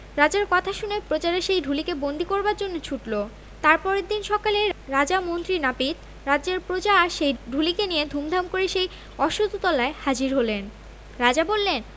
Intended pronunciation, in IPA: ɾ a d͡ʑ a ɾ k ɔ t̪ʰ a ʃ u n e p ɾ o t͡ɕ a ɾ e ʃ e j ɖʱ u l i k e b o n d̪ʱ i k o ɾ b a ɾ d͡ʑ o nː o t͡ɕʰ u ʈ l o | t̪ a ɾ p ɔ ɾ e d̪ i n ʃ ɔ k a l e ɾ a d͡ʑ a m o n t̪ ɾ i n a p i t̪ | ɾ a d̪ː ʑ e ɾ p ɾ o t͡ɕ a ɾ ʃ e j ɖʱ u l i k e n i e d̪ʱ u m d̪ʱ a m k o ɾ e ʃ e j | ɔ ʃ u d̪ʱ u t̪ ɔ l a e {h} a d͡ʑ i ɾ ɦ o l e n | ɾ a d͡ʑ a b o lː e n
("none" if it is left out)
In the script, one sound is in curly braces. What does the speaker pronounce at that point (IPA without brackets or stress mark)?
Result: h